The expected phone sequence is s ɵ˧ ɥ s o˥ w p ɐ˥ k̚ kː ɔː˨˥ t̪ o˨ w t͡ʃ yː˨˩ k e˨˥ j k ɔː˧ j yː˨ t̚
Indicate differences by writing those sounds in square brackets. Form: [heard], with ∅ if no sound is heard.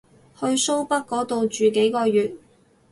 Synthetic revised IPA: [h] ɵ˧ ɥ s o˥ w p ɐ˥ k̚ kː ɔː˨˥ t̪ o˨ w t͡ʃ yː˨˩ k e˨˥ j k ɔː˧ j yː˨ t̚